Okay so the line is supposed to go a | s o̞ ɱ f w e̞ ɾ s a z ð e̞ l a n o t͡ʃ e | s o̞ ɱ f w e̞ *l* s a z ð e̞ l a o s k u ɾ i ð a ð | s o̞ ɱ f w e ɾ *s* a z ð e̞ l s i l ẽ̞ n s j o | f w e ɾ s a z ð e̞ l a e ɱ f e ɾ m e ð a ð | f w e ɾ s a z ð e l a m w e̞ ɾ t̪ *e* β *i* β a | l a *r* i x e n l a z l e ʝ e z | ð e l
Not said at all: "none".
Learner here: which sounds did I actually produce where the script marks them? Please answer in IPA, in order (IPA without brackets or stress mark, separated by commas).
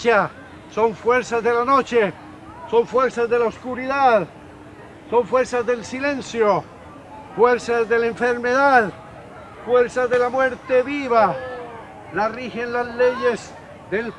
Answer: ɾ, s, e, i, r